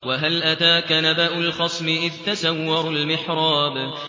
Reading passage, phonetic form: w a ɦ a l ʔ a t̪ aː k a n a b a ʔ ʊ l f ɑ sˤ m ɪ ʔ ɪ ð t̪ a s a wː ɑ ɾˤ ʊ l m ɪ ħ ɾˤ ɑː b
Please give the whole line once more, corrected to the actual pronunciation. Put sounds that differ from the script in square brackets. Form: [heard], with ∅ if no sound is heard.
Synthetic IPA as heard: w a ɦ a l ʔ a t̪ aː k a n a b a ʔ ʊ l [x] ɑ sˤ m ɪ ʔ ɪ ð t̪ a s a wː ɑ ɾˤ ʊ l m ɪ ħ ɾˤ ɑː b